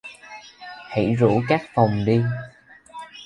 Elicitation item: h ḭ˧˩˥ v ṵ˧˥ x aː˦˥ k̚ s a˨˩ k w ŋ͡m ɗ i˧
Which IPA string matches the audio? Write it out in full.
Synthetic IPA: h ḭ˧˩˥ z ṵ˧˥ k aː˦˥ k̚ f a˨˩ w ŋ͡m ɗ i˧